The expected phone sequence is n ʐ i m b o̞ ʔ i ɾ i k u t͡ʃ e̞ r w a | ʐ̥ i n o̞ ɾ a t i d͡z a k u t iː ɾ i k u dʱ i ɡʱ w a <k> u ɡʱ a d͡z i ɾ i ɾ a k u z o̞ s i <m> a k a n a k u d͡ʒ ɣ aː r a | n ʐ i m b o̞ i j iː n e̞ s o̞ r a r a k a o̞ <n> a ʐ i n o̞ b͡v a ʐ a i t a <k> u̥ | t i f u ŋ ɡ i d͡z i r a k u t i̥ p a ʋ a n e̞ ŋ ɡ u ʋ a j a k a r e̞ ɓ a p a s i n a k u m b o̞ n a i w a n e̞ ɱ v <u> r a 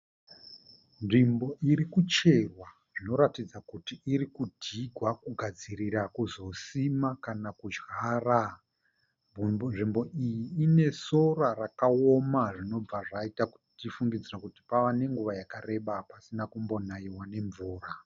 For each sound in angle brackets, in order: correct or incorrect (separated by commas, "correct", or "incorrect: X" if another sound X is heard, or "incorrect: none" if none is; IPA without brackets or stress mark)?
correct, correct, incorrect: m, correct, incorrect: uː